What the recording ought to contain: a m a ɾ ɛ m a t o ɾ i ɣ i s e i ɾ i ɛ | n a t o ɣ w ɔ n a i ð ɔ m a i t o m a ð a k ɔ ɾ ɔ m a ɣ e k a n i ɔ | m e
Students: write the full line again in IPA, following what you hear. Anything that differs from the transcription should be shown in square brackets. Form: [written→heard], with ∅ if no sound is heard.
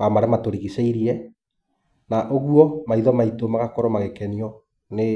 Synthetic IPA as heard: a m a ɾ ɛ m a t o ɾ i ɣ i s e i ɾ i ɛ | n a [t→ʔ] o ɣ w ɔ [n→m] a i ð ɔ m a i t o m a [ð→ɣ] a k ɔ ɾ ɔ m a ɣ e k [a→ɛ] n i ɔ | [m→n] e